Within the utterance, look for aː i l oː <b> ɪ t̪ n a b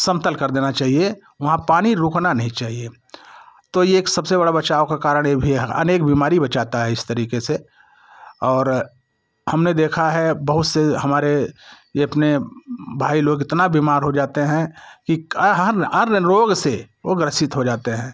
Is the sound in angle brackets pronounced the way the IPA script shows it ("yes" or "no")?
no